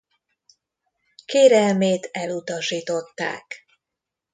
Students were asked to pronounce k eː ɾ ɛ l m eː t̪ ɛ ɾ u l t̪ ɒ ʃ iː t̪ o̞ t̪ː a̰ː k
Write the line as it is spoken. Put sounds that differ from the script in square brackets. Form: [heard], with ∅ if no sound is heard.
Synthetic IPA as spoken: k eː ɾ ɛ l m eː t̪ ɛ [l] u [∅] t̪ ɒ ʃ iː t̪ o̞ t̪ː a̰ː k